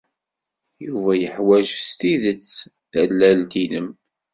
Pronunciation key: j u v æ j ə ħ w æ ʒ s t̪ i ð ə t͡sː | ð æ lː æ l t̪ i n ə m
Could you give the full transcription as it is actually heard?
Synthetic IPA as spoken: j u v æ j ə ħ w æ ʒ s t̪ i ð ə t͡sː | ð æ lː æ l t̪ i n ə m